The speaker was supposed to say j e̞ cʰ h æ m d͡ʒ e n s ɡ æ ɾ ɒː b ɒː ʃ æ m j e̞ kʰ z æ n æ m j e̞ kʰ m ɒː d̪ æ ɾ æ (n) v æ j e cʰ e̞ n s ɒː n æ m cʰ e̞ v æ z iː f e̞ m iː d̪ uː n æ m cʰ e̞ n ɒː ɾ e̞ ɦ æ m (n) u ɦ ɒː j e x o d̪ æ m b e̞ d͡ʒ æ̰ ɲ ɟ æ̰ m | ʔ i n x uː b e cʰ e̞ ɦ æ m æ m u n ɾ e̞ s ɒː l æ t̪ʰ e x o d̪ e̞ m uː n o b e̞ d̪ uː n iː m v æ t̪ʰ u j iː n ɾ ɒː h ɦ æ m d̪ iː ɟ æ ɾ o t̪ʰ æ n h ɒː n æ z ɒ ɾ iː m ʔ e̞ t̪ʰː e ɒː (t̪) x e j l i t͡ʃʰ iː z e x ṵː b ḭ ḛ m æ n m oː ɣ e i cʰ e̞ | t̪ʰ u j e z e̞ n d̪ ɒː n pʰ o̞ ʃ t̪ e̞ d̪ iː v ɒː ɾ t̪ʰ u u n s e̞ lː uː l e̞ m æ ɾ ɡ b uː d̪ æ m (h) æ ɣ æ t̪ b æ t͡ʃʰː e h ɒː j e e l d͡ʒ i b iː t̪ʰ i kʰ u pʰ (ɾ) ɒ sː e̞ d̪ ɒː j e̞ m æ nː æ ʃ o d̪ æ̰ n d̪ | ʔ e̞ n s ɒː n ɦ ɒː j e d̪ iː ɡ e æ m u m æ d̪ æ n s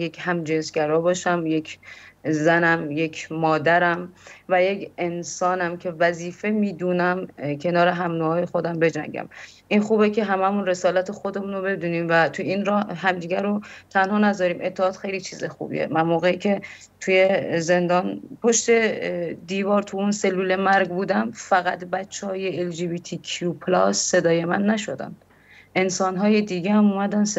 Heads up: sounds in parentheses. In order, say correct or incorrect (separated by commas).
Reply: incorrect, correct, correct, incorrect, incorrect